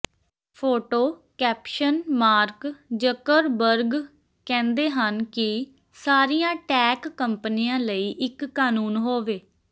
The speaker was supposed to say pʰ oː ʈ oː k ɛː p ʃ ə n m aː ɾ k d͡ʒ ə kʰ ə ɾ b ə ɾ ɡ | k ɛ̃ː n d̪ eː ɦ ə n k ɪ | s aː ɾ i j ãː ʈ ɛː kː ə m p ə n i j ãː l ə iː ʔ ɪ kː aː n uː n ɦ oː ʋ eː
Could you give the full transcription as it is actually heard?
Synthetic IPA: pʰ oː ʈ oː k ɛː p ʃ ə n m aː ɾ k d͡ʒ ə k ə ɾ b ə ɾ ɡ | k ɛ̃ː n d̪ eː ɦ ə n k ɪ | s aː ɾ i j ãː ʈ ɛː kː ə m p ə n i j ãː l ə iː ʔ ɪ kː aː n uː n ɦ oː ʋ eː